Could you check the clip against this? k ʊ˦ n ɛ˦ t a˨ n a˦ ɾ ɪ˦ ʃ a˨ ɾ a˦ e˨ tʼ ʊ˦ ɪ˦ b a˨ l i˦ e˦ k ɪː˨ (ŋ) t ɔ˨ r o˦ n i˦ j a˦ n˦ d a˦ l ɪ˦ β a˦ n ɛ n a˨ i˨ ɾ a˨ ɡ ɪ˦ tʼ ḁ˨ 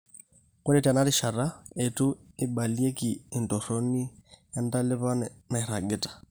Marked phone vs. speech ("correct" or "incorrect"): incorrect